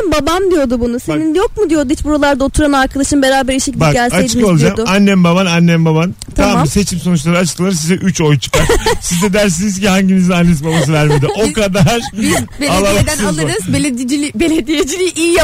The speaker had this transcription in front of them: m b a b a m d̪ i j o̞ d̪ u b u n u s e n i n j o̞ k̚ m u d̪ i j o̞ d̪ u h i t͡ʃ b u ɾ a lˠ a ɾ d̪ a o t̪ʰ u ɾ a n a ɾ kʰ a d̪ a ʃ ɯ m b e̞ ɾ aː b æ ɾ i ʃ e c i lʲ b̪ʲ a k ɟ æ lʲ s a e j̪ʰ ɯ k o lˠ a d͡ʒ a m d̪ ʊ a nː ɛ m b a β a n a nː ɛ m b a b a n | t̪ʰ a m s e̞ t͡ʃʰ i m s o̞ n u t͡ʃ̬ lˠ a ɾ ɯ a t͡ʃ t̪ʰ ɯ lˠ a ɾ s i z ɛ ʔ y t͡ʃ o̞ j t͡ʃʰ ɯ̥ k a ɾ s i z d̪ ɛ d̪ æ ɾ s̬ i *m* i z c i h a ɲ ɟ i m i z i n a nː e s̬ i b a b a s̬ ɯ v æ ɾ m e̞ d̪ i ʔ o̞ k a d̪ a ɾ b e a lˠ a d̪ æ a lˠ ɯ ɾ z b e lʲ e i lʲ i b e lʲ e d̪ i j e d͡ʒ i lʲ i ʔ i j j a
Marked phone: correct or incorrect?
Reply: incorrect